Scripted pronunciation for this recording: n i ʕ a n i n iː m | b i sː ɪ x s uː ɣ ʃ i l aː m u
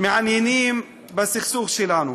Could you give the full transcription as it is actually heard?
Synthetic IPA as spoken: m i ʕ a n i n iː m | b a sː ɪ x s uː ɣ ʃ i l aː n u